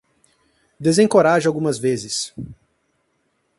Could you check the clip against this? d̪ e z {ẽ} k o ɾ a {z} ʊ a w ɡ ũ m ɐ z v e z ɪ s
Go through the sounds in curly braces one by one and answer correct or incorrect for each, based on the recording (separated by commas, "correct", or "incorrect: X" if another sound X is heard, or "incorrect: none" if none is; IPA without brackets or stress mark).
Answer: correct, incorrect: ʒ